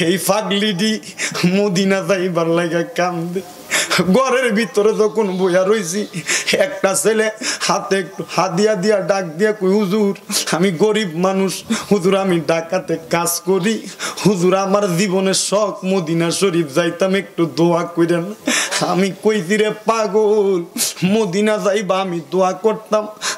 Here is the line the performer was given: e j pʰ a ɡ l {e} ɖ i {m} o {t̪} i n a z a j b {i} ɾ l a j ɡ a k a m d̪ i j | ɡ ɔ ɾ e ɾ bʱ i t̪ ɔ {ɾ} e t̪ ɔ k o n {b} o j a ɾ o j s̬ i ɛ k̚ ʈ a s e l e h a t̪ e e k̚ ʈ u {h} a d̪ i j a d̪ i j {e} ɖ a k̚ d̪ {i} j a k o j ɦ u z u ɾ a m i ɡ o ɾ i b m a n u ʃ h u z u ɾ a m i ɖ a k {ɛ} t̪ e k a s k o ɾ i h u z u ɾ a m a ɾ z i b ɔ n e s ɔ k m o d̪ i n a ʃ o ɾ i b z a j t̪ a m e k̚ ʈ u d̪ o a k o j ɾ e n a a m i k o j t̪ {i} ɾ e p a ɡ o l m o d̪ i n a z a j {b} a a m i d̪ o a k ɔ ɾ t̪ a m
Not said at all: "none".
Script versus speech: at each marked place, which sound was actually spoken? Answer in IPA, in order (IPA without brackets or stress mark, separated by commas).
i, m, d̪, a, ɾ, b, h, a, i, a, i, b